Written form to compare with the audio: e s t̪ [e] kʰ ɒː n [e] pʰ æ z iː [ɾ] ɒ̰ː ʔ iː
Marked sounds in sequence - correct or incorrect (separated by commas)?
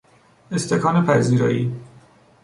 correct, correct, correct